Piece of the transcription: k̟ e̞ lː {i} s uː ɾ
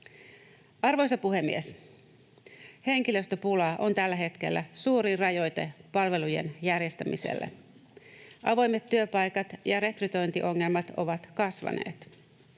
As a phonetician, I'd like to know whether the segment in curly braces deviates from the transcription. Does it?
yes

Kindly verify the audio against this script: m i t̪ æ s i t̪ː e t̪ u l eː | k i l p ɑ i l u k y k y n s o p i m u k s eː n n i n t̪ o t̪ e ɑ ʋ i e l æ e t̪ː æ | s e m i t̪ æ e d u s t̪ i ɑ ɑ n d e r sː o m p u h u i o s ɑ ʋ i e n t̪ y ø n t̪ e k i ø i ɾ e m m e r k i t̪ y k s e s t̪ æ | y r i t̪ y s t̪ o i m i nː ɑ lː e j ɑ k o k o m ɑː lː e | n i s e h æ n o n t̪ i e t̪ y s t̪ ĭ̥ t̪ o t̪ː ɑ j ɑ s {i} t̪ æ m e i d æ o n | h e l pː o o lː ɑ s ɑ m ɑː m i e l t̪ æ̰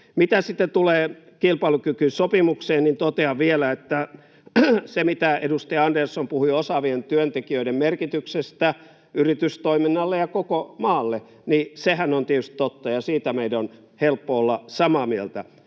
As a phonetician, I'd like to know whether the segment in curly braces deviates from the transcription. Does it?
yes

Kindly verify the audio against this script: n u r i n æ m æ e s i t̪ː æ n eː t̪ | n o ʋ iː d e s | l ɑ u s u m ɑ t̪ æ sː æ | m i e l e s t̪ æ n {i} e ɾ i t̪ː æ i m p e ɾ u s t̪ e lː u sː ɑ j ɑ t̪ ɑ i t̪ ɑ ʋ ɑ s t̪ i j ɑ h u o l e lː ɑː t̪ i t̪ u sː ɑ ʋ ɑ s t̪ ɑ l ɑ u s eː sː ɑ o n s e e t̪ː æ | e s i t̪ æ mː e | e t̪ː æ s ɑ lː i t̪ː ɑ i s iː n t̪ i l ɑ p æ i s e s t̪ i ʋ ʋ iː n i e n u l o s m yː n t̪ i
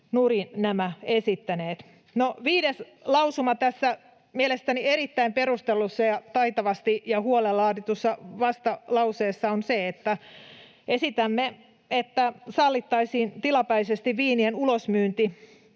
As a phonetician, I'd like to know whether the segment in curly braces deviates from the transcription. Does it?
no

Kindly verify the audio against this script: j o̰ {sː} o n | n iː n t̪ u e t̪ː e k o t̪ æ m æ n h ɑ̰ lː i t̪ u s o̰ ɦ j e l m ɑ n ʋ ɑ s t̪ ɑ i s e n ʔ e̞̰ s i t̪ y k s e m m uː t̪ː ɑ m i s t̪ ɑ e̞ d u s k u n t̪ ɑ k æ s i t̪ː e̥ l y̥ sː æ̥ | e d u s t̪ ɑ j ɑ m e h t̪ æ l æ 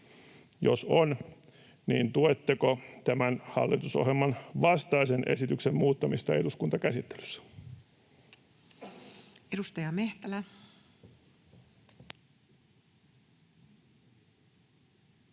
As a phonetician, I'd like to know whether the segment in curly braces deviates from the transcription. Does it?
yes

